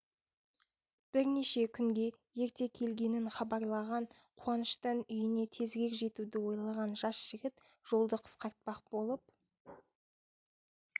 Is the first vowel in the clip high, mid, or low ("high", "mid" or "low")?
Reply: high